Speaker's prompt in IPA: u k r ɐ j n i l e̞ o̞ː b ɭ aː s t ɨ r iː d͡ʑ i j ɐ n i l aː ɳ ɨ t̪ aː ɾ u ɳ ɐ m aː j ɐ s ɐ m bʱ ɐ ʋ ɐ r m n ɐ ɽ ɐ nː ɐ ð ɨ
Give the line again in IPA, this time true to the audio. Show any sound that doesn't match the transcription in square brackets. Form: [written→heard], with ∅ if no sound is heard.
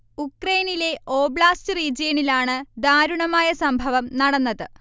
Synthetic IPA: u k r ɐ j n i l e̞ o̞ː b ɭ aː s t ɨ r iː d͡ʑ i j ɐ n i l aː ɳ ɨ [t̪→d̪] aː ɾ u ɳ ɐ m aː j ɐ s ɐ m bʱ ɐ ʋ ɐ [r→∅] m n ɐ ɽ ɐ nː ɐ ð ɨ